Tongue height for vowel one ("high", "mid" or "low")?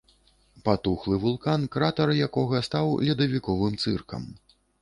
low